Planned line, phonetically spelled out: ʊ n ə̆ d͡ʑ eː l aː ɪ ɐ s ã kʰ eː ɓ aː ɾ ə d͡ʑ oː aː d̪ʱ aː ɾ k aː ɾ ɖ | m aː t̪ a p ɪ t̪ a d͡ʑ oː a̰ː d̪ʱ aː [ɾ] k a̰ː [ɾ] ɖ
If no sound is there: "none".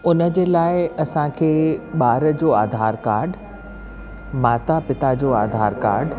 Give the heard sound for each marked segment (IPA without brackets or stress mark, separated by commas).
ɾ, ɾ